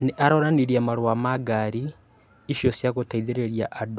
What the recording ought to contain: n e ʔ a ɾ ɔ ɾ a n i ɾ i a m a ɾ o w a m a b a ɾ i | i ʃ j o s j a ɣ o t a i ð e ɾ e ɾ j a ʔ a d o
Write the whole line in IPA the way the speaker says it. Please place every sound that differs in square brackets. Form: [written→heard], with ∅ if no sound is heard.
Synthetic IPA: n e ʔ a ɾ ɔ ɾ a n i ɾ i a m a ɾ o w a m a [b→ɡ] a ɾ i | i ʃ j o s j a ɣ o t a i ð e ɾ e ɾ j a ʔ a d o